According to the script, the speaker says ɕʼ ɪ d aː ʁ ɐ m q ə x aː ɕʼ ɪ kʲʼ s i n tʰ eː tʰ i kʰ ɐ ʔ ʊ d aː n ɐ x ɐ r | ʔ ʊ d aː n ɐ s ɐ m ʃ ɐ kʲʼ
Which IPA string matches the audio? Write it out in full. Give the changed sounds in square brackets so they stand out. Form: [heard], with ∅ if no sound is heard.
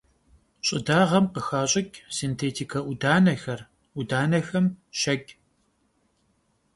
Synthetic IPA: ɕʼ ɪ d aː ʁ ɐ m q ə x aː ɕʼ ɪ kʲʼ s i n tʰ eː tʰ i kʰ ɐ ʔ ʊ d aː n ɐ x ɐ r | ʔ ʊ d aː n ɐ [x] ɐ m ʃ ɐ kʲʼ